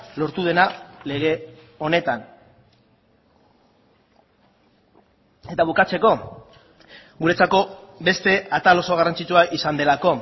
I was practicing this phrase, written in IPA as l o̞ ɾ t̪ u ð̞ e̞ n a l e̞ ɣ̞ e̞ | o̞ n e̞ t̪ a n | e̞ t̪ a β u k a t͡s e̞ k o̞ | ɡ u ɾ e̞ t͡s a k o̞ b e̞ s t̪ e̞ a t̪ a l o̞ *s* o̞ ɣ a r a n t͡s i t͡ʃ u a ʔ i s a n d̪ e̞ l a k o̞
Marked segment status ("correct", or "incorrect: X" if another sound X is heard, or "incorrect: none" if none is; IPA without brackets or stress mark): correct